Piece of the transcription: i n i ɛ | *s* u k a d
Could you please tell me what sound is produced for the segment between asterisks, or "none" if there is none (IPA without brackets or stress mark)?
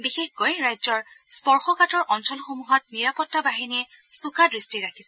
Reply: s